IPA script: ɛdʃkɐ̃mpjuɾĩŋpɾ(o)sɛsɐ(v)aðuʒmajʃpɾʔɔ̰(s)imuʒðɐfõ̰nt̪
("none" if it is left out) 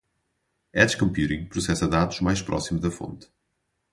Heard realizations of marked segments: u, ð, s

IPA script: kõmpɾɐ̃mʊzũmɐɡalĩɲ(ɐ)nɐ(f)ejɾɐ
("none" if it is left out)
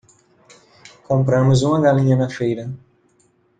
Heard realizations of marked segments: ɐ, f

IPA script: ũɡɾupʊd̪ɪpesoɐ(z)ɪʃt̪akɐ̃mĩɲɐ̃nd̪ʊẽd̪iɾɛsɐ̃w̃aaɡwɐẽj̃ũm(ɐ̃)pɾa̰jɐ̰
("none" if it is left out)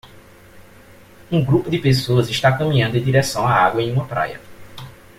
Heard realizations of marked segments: z, ɐ

